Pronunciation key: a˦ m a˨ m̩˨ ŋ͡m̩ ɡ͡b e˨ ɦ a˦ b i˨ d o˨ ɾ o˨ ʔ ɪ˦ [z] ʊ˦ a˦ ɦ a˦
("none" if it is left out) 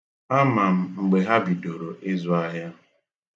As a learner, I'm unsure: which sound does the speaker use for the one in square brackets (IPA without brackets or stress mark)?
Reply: z